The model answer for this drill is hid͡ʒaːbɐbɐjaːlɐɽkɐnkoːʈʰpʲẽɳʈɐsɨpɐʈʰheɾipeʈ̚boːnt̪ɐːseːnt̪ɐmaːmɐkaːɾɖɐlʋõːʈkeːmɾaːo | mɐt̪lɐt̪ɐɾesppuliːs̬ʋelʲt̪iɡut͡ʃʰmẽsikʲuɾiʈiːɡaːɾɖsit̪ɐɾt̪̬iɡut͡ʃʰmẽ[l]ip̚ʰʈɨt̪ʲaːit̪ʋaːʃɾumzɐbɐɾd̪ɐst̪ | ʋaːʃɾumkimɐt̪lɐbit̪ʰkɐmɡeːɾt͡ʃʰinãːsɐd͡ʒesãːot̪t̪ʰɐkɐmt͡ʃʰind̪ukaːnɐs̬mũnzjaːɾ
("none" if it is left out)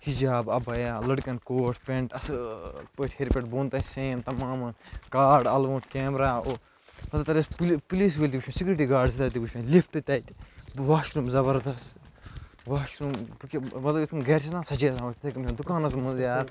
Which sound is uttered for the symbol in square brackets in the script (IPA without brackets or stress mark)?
l